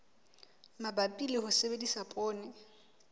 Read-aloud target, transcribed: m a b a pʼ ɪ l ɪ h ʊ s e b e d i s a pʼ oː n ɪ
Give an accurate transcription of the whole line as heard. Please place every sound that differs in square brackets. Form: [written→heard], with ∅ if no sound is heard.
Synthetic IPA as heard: m a b a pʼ [ɪ→i] l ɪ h ʊ s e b e d i s a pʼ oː n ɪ